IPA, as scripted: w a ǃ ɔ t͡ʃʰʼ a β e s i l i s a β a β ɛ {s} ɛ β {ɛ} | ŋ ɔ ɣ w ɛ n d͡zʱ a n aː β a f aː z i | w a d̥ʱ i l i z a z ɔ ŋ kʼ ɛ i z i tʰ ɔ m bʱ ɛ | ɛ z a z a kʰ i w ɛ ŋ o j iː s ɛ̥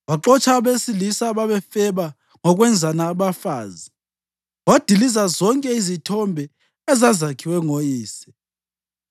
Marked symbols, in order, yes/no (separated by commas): no, no